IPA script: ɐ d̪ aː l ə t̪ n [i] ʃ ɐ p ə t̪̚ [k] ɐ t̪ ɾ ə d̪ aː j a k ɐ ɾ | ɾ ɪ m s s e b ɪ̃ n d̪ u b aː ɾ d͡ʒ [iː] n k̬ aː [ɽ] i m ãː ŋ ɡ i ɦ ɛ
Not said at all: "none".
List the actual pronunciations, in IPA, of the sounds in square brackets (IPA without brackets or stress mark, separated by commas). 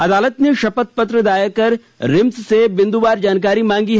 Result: e, p, aː, ɾ